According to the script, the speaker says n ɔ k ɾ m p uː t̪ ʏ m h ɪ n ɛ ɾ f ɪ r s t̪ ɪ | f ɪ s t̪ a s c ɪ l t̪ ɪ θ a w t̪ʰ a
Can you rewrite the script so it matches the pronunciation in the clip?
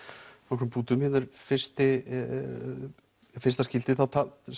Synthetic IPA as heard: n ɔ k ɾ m p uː t̪ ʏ m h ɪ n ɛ ɾ f ɪ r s t̪ ɪ | f ɪ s t̪ a s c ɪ l t̪ ɪ θ a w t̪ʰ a